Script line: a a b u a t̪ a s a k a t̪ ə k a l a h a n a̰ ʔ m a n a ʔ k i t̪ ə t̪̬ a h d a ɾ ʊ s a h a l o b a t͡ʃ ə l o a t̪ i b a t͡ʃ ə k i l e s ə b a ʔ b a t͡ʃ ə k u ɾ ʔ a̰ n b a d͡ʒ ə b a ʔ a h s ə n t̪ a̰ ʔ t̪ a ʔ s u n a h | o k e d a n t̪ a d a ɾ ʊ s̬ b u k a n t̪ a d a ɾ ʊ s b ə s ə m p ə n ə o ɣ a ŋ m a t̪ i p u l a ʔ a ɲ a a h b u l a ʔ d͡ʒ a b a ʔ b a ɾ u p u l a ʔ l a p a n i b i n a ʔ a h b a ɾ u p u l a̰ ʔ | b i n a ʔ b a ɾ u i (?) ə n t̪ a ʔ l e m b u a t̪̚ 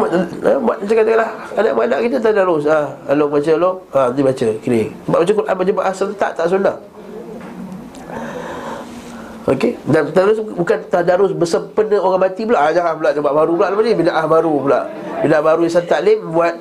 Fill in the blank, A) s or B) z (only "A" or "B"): A